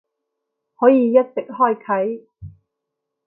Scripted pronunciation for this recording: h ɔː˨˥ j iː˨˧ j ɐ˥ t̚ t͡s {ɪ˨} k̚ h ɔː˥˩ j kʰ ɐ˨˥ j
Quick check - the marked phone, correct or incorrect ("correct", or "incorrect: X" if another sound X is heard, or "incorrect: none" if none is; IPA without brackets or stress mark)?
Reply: correct